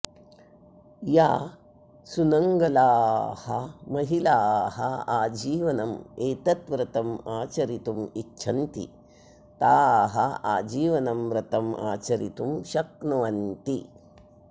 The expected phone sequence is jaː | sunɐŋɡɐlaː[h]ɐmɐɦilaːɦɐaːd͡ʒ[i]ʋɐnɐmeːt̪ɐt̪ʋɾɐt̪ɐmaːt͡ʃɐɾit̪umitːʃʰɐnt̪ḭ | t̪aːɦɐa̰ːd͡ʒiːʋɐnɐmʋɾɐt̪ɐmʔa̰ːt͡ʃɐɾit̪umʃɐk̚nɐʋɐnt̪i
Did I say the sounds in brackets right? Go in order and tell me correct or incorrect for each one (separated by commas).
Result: correct, incorrect